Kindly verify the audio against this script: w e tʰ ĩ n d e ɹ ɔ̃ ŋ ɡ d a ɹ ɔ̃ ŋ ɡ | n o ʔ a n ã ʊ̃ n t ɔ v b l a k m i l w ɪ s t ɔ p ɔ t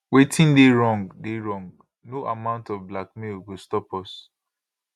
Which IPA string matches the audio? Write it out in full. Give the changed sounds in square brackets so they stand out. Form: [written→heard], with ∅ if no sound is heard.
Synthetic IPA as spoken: w e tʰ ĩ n d e ɹ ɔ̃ ŋ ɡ d [a→e] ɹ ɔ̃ ŋ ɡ | n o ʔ a [n→m] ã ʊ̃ n t ɔ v b l a k m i l w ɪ s t ɔ p ɔ [t→s]